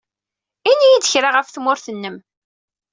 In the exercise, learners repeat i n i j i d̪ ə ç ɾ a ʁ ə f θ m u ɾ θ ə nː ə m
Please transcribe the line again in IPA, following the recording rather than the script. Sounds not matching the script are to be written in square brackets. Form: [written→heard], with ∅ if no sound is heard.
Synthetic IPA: i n i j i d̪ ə ç ɾ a ʁ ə f θ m [u→ʊ] ɾ θ ə nː ə m